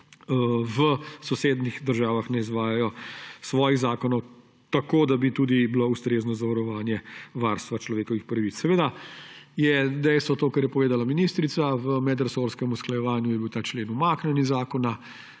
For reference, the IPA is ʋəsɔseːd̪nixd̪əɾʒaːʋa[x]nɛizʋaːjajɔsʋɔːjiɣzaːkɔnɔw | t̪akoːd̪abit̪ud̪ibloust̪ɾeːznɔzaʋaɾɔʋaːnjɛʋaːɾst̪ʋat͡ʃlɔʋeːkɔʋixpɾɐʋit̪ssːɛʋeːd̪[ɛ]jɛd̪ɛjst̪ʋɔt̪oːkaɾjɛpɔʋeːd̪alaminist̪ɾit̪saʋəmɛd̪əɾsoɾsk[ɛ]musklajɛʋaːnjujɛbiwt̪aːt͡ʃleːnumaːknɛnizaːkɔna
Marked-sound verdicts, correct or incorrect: correct, incorrect, correct

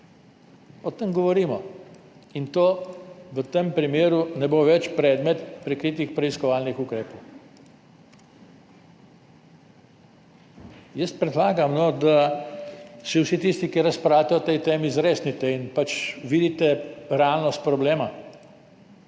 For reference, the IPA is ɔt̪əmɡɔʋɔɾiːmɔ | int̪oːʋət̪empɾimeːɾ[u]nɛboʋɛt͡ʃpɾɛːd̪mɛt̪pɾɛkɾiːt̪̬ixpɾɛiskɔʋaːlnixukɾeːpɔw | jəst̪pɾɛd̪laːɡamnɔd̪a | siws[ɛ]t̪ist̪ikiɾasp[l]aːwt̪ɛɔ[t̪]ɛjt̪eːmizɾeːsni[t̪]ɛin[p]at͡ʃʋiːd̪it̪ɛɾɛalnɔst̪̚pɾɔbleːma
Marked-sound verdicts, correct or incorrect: correct, incorrect, incorrect, correct, correct, correct

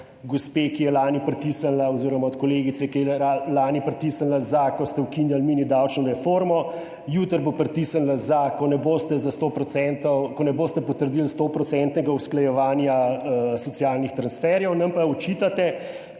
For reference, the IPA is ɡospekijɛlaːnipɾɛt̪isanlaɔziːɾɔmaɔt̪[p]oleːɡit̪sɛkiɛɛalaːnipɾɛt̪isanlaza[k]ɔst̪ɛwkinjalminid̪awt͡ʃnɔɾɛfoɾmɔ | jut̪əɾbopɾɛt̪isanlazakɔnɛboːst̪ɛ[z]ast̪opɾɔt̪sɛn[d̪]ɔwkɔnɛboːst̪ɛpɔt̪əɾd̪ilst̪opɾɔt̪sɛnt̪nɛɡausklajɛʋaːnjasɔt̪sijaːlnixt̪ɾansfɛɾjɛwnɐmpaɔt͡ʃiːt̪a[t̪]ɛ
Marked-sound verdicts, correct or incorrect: incorrect, correct, correct, incorrect, correct

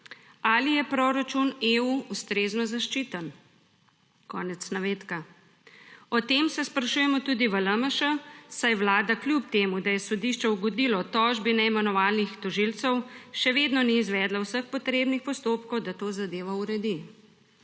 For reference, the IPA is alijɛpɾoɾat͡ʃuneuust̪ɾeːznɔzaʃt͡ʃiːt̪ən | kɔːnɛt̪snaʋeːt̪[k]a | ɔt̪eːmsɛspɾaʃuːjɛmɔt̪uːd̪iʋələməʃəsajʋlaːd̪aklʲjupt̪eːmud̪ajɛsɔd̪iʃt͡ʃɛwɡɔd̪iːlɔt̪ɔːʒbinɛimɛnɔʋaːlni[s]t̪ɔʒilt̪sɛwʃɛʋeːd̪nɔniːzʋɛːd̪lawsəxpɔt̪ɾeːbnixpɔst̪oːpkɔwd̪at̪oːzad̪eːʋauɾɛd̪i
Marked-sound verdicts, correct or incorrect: correct, incorrect

